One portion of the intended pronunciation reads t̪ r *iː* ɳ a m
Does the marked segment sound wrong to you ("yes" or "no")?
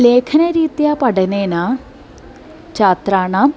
yes